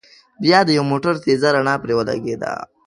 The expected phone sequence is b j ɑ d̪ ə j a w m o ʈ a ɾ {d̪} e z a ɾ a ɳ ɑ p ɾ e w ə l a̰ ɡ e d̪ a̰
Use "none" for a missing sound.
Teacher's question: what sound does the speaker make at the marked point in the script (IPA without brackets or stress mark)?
t̪